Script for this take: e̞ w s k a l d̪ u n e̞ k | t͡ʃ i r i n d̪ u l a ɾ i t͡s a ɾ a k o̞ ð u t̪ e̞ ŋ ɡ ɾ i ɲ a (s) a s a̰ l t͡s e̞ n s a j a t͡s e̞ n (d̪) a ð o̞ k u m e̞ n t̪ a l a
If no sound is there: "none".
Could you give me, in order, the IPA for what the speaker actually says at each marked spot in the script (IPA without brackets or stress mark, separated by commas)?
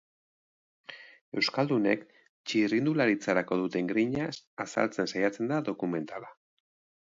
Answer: s, d̪